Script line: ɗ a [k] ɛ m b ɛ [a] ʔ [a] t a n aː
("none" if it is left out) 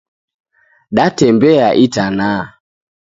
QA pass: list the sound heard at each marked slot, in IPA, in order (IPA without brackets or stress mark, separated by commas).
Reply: t, a, i